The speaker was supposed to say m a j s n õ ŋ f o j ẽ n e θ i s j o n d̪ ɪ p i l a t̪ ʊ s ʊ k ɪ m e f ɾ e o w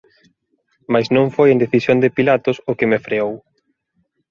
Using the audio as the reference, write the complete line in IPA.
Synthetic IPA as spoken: m a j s n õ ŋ f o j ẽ n e θ i s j o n d̪ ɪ p i l a t̪ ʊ s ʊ k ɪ m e f ɾ e o w